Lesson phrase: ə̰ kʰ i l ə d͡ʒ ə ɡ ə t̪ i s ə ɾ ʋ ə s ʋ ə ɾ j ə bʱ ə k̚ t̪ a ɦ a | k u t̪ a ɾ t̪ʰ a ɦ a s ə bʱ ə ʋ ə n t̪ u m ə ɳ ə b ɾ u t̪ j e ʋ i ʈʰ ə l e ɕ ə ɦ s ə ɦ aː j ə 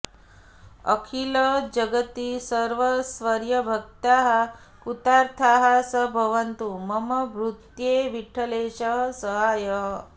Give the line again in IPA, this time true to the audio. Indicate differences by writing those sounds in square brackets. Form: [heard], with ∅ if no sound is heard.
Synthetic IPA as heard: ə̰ kʰ i l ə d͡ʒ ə ɡ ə t̪ i s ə ɾ ʋ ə s ʋ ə ɾ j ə bʱ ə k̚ t̪ a ɦ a | k u t̪ a ɾ t̪ʰ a ɦ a s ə bʱ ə ʋ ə n t̪ u m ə [m] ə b ɾ u t̪ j e ʋ i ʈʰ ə l e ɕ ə ɦ s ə ɦ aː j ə